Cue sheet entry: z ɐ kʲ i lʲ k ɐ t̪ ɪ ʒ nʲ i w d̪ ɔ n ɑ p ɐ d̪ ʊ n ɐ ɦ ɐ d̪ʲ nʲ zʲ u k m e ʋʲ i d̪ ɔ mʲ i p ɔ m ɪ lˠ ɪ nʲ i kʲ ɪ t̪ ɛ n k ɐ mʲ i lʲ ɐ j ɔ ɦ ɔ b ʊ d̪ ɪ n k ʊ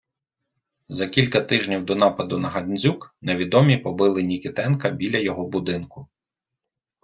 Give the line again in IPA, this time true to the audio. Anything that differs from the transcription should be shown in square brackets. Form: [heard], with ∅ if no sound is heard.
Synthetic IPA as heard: z ɐ kʲ i lʲ k ɐ t̪ ɪ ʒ nʲ i w d̪ ɔ n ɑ p ɐ d̪ ʊ n ɐ ɦ ɐ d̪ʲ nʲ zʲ u k [n] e ʋʲ i d̪ ɔ mʲ i p ɔ [b] ɪ lˠ ɪ nʲ i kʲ ɪ t̪ ɛ n k ɐ [bʲ] i lʲ ɐ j ɔ ɦ ɔ b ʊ d̪ ɪ n k ʊ

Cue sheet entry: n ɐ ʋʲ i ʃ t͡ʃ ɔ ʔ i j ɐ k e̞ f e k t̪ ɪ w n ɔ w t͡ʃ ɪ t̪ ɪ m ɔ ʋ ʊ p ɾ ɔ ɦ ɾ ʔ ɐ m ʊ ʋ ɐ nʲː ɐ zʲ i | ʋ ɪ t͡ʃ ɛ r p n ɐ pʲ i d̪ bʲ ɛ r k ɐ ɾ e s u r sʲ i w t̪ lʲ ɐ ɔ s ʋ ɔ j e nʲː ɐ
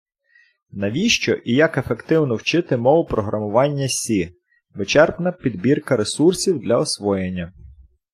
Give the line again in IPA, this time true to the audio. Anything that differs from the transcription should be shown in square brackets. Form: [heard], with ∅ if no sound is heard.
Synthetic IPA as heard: n ɐ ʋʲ i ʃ t͡ʃ ɔ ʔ i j ɐ k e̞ f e k t̪ ɪ w n ɔ w t͡ʃ ɪ t̪ ɪ m ɔ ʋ ʊ p ɾ ɔ ɦ ɾ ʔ ɐ m ʊ ʋ [ɑ] nʲː ɐ [sʲ] i | ʋ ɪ t͡ʃ ɛ r p n ɐ pʲ i d̪ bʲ [i] r k ɐ ɾ e s u r sʲ i w [d̪] lʲ ɐ ɔ s ʋ ɔ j e nʲː ɐ

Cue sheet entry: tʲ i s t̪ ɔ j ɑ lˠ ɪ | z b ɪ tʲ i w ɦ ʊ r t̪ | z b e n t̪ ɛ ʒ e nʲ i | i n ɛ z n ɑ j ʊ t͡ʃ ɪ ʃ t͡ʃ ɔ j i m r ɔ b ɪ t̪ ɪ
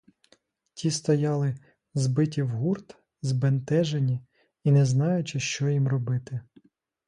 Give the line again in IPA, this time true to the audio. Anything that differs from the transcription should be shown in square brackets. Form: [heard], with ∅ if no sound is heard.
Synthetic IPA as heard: tʲ i s t̪ ɔ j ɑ lˠ ɪ | z b ɪ tʲ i w ɦ [u] r t̪ | z b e n t̪ ɛ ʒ e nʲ i | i n ɛ z n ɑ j ʊ t͡ʃ ɪ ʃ t͡ʃ ɔ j i m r ɔ b ɪ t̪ ɪ

